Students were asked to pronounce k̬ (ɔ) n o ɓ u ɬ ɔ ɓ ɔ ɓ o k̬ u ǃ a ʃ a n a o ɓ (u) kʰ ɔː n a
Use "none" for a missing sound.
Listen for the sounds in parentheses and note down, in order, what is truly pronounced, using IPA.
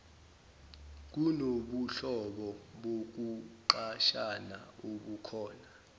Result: u, u

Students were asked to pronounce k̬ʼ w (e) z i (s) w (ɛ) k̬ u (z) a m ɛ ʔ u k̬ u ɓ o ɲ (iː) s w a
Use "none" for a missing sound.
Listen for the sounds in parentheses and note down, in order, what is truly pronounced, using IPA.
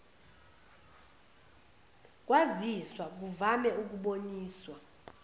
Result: a, s, a, v, iː

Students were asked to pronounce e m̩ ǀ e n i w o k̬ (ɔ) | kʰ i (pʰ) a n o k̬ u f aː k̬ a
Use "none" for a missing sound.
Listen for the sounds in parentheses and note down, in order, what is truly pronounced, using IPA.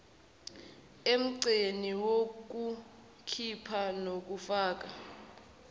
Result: u, pʰ

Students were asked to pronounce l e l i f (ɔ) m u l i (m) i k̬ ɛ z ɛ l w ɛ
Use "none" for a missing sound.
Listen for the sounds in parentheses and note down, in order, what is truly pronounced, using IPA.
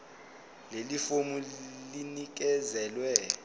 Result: o, n

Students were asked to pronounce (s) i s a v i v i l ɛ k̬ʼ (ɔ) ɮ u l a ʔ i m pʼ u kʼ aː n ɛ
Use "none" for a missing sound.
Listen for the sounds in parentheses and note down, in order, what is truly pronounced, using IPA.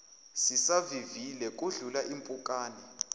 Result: s, u

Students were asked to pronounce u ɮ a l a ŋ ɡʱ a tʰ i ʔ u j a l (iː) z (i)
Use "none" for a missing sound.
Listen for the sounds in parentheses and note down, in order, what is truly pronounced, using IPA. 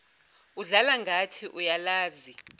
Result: aː, i

